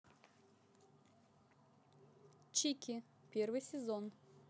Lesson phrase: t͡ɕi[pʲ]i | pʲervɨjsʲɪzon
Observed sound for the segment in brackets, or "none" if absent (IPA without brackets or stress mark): kʲ